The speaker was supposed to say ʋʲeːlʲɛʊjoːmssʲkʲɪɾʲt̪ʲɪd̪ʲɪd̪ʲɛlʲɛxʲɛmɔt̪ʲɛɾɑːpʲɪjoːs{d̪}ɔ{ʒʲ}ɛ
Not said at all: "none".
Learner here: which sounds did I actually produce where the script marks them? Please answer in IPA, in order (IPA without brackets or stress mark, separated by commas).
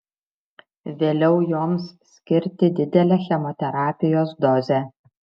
d̪, zʲ